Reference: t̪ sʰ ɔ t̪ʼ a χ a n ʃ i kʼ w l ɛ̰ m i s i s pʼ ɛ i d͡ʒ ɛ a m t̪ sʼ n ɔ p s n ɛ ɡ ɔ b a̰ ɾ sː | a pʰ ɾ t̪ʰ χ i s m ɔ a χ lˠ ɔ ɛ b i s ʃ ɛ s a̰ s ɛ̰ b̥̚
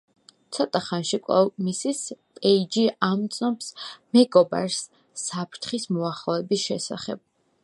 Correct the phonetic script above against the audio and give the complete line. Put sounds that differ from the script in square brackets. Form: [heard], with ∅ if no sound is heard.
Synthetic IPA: t̪ sʰ ɔ t̪ʼ a χ a n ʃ i kʼ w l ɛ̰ m i s i s pʼ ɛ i d͡ʒ [i] a m t̪ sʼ n ɔ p s [m] ɛ ɡ ɔ b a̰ ɾ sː | a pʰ ɾ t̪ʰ χ i s m ɔ a χ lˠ ɔ ɛ b i s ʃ ɛ s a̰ [χ] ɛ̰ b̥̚